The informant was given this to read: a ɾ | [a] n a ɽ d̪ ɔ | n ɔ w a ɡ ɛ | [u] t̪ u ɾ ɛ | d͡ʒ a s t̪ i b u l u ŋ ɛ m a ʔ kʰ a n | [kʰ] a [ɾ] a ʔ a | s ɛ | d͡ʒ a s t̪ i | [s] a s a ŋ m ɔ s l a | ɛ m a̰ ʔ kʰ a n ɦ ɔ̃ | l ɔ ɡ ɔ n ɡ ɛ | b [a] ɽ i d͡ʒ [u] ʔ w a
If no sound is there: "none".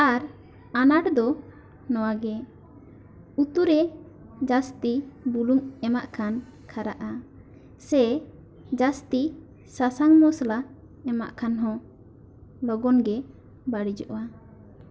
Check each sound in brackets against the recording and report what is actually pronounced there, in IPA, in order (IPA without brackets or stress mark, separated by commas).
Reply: a, u, kʰ, ɾ, s, a, ɔ